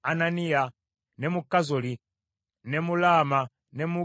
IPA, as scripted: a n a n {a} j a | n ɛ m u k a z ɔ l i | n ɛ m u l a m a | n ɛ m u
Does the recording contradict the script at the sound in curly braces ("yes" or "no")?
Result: yes